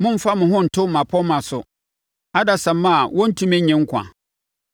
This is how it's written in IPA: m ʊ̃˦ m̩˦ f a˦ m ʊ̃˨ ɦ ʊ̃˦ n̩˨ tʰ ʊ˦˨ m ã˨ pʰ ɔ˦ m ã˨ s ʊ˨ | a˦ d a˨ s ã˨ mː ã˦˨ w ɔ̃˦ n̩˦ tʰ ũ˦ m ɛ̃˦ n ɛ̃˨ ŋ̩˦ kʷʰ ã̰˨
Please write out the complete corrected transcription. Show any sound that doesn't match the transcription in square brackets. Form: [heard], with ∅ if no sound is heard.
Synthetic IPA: m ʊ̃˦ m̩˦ f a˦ m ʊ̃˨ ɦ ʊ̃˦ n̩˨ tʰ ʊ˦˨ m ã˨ pʰ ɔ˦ m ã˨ s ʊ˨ | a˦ d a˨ s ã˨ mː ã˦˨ w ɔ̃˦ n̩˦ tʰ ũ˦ m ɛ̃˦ [ɲ] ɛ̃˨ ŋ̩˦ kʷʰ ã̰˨